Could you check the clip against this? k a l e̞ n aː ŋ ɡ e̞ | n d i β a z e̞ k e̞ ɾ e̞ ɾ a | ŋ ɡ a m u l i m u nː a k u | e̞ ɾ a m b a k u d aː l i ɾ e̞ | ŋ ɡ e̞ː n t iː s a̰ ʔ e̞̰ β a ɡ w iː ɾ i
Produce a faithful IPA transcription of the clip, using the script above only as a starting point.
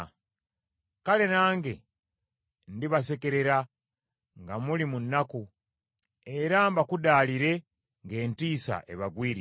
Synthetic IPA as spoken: k a l e̞ n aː ŋ ɡ e̞ | n d i β a s e̞ k e̞ ɾ e̞ ɾ a | ŋ ɡ a m u l i m u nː a k u | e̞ ɾ a m b a k u d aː l i ɾ e̞ | ŋ ɡ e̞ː n t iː s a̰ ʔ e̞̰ β a ɡ w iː ɾ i